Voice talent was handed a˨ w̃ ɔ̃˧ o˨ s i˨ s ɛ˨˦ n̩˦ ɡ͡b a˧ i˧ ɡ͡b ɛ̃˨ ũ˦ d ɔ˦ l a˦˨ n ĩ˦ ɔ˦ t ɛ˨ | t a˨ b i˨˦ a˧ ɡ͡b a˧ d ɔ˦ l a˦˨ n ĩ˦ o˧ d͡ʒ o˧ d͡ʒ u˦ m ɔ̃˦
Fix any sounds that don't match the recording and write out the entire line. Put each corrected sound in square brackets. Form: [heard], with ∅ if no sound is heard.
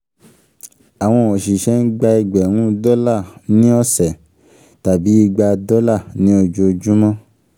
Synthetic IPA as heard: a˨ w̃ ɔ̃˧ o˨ [ʃ] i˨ [ʃ] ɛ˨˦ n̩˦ ɡ͡b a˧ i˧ ɡ͡b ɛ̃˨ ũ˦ d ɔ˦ l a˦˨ n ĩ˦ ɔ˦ [s] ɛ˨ | t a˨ b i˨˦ [i˧] ɡ͡b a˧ d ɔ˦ l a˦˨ n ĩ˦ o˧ d͡ʒ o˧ d͡ʒ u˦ m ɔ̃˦